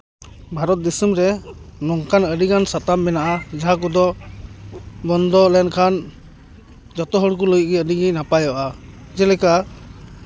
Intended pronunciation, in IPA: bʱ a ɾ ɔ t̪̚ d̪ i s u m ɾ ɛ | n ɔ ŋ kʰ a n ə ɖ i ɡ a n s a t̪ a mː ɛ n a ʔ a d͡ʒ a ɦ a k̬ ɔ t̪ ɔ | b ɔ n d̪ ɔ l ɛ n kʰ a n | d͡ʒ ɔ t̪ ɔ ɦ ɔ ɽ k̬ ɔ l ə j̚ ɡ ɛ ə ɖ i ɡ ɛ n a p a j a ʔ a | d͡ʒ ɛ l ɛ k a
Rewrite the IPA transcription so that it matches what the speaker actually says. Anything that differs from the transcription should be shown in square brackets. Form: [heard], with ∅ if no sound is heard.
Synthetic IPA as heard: bʱ a ɾ ɔ t̪̚ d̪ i s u m ɾ ɛ | n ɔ ŋ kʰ a n ə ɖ i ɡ a n s a t̪ a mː ɛ n a ʔ a d͡ʒ a ɦ a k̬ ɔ [d̪] ɔ | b ɔ n d̪ ɔ l ɛ n kʰ a n | d͡ʒ ɔ t̪ ɔ ɦ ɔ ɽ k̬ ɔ l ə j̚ ɡ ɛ ə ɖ i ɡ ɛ n a p a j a ʔ a | d͡ʒ ɛ l ɛ k a